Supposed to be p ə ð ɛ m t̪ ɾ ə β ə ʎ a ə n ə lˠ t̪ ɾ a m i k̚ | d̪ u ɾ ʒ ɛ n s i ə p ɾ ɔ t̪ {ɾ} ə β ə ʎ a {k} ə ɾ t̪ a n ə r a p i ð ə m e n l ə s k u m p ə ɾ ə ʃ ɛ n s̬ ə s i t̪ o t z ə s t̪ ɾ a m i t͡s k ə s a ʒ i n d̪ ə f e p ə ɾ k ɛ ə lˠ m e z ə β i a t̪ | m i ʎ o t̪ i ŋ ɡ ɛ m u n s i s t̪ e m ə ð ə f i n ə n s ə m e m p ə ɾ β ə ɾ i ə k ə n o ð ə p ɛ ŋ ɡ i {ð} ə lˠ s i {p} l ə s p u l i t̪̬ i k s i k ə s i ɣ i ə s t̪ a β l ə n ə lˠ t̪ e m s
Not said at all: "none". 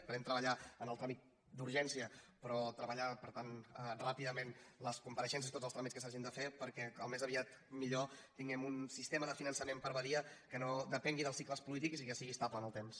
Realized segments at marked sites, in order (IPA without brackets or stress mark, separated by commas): ɾ, p, ð, k